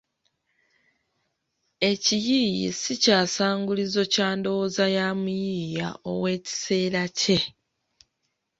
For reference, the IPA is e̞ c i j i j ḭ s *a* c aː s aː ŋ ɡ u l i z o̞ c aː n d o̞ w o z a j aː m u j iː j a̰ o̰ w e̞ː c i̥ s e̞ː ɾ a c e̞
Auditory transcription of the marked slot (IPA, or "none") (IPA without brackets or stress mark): i